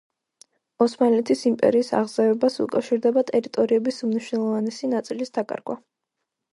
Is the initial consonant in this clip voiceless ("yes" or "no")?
yes